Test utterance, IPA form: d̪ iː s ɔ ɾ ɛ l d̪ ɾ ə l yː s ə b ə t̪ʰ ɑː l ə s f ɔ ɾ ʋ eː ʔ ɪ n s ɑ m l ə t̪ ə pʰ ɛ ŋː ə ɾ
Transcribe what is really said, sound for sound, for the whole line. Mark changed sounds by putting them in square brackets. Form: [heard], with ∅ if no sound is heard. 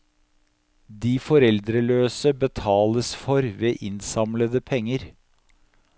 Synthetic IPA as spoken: d̪ iː [f] ɔ ɾ ɛ l d̪ ɾ ə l [øː] s ə b ə t̪ʰ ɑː l ə s f ɔ ɾ ʋ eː ʔ ɪ n s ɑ m l ə [d̪] ə pʰ ɛ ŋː ə ɾ